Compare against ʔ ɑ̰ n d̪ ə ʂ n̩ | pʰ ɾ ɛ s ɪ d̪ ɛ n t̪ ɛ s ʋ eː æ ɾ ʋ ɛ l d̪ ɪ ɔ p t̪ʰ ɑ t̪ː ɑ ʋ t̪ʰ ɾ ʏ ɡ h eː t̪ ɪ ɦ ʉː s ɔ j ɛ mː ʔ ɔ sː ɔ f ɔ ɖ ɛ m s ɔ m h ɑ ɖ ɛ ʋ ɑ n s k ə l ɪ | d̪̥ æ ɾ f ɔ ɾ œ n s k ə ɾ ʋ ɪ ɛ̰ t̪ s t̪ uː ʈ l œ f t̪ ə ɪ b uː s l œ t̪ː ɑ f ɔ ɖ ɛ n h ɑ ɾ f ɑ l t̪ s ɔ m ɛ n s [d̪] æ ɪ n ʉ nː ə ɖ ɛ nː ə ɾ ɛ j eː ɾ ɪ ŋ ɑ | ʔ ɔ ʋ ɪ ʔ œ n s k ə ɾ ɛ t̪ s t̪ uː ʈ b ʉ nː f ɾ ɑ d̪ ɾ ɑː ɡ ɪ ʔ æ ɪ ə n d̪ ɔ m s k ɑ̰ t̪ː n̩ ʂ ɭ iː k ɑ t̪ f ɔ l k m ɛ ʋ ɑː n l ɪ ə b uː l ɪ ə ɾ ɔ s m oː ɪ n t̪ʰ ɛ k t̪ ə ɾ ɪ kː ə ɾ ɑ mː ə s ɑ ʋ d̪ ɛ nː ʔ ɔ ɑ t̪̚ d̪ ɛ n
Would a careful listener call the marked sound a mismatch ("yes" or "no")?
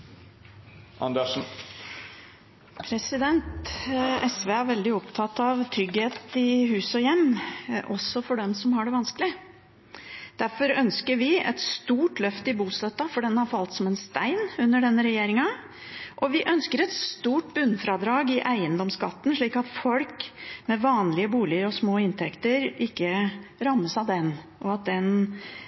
yes